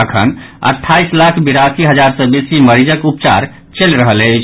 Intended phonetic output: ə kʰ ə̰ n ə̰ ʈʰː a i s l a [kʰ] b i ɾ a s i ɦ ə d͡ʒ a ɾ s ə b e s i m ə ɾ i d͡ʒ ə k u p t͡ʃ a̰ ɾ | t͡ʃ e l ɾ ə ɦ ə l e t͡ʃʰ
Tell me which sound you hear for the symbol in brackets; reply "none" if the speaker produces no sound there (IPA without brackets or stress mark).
kʰ